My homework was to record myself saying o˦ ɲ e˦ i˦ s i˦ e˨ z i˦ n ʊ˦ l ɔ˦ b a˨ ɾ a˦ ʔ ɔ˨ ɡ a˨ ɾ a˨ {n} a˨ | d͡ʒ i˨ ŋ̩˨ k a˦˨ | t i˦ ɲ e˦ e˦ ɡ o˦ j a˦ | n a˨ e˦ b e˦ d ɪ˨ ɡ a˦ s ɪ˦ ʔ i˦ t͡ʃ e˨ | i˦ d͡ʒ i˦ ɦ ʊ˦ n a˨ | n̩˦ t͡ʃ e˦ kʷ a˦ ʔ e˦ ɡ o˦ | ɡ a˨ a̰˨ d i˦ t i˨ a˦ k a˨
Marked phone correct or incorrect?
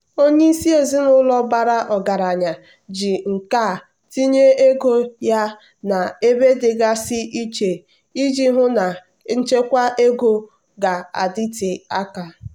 incorrect